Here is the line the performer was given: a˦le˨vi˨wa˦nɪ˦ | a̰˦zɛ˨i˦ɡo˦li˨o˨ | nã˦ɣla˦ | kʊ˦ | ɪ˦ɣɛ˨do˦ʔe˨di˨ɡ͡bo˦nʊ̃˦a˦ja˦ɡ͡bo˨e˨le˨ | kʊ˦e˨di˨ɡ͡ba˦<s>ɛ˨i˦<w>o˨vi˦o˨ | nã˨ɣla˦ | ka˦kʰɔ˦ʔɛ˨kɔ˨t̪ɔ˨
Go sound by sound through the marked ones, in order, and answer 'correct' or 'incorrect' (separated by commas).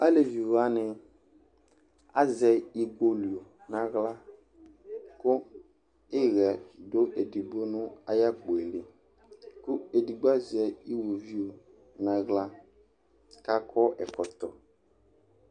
incorrect, correct